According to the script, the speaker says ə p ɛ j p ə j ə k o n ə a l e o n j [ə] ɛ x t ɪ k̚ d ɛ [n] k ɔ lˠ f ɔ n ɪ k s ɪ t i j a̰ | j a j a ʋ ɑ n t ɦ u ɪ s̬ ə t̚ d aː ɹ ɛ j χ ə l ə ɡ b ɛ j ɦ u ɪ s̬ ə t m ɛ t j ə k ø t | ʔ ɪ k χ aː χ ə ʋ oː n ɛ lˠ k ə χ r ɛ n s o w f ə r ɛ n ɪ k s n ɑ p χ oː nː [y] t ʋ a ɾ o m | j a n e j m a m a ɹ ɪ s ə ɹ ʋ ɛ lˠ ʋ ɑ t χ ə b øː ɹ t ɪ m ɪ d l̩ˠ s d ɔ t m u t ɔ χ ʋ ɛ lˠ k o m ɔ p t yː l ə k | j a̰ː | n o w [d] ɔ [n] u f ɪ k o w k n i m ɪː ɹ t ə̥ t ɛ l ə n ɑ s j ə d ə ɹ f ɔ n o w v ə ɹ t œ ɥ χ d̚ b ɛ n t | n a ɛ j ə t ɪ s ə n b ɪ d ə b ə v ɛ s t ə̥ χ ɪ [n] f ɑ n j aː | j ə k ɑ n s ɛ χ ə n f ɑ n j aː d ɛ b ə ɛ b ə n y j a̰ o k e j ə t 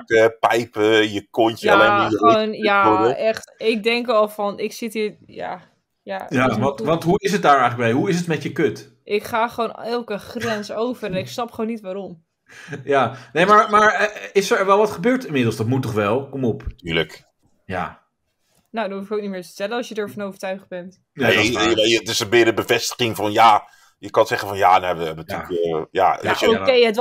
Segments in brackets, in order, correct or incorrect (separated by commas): incorrect, incorrect, incorrect, correct, correct, incorrect